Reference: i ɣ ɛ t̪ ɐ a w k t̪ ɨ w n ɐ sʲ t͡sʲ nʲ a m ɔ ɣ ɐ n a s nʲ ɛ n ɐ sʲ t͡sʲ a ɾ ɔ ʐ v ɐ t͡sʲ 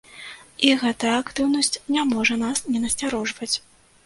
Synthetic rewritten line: i ɣ ɛ t̪ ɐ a k t̪ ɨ w n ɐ sʲ t͡sʲ nʲ a m ɔ ʐ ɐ n a s nʲ ɛ n ɐ sʲ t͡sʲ a ɾ ɔ ʐ v ɐ t͡sʲ